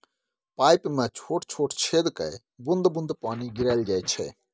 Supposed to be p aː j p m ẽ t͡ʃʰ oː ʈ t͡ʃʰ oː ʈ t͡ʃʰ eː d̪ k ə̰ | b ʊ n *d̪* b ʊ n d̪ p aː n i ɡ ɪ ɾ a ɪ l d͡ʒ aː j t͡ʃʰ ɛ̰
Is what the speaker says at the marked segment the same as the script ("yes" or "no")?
yes